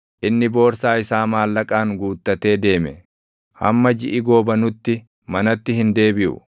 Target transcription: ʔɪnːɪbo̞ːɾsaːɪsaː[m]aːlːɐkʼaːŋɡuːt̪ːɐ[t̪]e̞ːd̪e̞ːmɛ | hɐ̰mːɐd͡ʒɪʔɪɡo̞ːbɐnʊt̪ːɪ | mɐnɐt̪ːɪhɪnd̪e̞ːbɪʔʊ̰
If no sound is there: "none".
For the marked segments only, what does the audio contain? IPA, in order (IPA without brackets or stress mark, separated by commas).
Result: m, t̪